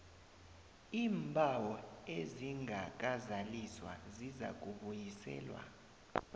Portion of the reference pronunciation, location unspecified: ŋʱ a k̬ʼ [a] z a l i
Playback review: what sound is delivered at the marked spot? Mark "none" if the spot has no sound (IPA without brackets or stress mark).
a